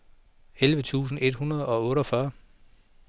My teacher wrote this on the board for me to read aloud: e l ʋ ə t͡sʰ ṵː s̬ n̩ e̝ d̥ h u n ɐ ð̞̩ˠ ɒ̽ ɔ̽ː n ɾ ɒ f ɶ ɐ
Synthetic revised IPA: e l ʋ ə t͡sʰ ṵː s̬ n̩ e̝ d̥ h u n ɐ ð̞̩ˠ ɒ̽ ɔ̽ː ɾ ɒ f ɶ ɐ